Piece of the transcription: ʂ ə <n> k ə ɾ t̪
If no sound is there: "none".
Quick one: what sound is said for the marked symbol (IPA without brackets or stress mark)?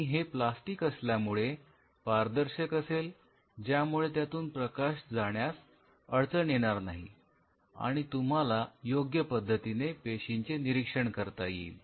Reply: ɳ